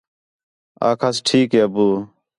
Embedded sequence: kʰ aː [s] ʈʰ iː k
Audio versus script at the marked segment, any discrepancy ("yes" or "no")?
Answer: no